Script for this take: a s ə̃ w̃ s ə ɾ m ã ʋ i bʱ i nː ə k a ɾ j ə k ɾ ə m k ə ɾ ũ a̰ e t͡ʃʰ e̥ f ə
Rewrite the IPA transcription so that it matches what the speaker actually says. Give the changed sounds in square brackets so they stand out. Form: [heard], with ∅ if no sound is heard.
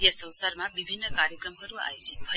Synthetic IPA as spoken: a s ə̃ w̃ s [a] ɾ m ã ʋ i bʱ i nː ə k a ɾ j ə k ɾ ə m k ə ɾ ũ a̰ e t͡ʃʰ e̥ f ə